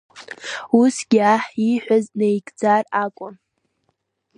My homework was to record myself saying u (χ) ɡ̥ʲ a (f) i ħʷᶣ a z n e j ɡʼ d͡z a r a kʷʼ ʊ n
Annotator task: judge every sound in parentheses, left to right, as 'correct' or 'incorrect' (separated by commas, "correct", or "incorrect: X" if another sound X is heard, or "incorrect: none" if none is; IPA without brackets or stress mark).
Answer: incorrect: s, incorrect: ħ